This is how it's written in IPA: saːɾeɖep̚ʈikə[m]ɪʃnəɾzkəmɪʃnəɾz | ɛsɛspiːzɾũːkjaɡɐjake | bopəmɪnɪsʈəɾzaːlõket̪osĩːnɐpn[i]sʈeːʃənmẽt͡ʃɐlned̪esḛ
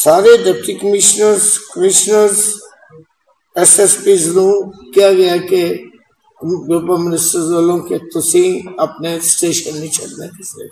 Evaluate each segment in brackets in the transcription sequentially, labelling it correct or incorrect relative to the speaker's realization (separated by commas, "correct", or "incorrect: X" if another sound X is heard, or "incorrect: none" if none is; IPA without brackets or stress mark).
correct, incorrect: e